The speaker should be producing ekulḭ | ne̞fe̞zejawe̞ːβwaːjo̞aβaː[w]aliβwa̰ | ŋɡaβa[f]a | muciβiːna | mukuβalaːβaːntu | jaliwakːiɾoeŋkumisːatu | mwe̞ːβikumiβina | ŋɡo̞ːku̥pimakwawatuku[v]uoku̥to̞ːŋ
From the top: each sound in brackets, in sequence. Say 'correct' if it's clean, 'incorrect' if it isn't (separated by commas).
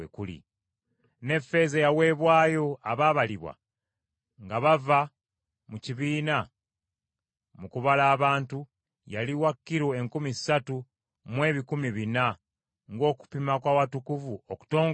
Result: incorrect, incorrect, correct